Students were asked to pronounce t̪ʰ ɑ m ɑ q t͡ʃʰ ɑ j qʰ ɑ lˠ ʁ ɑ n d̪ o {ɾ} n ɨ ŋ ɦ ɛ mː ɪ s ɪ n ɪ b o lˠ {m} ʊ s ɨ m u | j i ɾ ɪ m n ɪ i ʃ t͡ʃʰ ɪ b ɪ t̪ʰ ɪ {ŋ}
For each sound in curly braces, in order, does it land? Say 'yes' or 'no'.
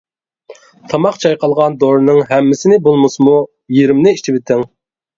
yes, yes, yes

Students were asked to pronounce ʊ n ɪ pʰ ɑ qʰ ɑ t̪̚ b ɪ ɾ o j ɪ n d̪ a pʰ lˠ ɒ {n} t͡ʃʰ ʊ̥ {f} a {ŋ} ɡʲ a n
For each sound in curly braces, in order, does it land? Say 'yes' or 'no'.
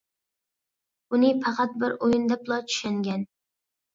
no, no, yes

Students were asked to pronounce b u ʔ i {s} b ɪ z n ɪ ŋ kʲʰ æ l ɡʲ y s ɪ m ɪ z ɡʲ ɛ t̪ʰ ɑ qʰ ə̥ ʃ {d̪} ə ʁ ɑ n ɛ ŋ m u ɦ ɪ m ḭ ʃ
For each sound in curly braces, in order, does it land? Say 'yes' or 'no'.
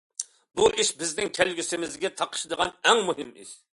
no, yes

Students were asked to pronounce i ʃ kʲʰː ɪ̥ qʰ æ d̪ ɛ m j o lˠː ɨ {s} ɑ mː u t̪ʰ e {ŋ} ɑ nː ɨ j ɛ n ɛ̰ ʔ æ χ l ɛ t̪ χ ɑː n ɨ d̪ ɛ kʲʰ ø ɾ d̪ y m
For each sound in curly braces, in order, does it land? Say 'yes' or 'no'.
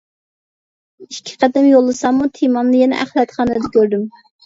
yes, no

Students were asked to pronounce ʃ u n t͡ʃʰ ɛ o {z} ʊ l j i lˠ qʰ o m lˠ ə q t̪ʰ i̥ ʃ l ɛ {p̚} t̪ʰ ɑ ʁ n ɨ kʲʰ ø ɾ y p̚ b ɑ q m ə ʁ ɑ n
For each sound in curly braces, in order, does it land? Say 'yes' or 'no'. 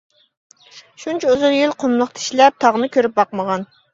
yes, yes

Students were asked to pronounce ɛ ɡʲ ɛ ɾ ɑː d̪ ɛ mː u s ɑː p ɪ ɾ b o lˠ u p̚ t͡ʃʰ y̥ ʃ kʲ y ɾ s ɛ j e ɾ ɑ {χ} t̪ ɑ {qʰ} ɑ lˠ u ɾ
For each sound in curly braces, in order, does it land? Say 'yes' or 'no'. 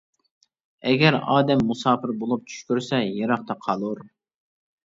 yes, yes

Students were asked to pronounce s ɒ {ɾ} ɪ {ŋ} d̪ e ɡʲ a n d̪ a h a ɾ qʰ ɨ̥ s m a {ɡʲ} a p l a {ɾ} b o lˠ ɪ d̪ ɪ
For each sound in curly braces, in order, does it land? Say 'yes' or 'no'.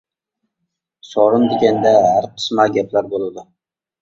yes, no, yes, yes

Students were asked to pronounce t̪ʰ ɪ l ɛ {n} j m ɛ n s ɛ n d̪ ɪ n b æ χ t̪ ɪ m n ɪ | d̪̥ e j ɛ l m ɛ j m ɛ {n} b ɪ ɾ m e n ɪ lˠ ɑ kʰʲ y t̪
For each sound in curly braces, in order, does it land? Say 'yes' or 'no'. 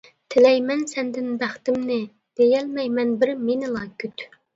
no, yes

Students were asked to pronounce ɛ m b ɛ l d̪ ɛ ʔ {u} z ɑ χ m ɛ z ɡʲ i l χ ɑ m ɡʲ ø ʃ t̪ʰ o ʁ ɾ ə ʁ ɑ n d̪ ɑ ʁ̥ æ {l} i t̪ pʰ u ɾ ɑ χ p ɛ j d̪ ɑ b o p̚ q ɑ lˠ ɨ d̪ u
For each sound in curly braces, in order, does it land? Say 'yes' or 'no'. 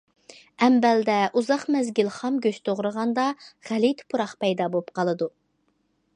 yes, yes

